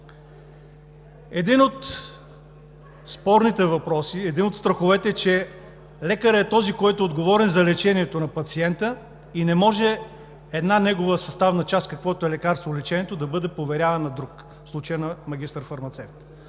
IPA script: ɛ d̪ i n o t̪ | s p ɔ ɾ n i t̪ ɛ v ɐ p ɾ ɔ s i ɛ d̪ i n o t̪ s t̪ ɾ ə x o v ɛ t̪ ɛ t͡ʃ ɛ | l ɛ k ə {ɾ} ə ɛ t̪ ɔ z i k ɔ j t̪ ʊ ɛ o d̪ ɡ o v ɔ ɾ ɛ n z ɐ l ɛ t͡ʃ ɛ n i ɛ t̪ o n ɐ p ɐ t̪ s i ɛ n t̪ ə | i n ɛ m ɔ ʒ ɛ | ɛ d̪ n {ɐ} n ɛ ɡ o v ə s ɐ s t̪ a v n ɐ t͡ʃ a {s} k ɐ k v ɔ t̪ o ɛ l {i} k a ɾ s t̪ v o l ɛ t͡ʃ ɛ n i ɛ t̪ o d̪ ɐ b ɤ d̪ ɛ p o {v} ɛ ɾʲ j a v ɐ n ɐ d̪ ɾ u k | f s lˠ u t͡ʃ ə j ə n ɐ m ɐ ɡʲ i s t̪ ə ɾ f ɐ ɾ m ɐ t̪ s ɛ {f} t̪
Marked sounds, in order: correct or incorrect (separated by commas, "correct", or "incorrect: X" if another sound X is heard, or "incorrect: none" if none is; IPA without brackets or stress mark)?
correct, incorrect: a, correct, incorrect: ɛ, correct, correct